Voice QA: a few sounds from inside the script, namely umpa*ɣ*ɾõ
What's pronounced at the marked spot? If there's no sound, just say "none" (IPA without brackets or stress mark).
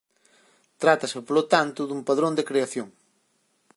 ð